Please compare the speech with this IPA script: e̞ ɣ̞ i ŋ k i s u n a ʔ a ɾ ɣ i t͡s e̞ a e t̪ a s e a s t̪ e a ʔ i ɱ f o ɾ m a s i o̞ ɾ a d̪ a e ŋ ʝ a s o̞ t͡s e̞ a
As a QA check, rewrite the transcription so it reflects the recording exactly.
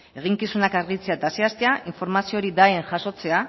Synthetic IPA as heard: e̞ ɣ̞ i ŋ k i s u n a k a ɾ ɣ i t͡s e̞ a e t̪ a s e a s t̪ e a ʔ i ɱ f o ɾ m a s i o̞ ɾ i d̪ a e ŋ ʝ a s o̞ t͡s e̞ a